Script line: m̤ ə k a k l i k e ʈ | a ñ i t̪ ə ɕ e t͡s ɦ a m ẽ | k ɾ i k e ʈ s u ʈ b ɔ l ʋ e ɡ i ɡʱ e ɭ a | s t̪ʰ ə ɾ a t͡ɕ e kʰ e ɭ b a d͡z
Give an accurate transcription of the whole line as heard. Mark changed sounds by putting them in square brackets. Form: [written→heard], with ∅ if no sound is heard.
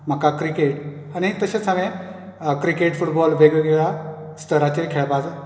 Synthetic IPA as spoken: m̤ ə k a k [l→ɾ] i k e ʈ | a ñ i t̪ ə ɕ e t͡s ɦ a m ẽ | k ɾ i k e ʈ [s→f] u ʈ b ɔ l ʋ e ɡ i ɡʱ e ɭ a | s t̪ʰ ə ɾ a t͡ɕ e kʰ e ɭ b a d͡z